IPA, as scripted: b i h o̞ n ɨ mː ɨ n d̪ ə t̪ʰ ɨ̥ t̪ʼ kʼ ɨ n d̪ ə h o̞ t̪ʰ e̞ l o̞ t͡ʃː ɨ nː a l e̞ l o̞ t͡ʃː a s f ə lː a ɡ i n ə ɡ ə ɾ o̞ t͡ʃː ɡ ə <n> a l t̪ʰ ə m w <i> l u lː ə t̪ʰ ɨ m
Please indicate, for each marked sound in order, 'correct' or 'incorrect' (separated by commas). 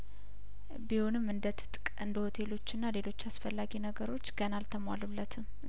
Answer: correct, incorrect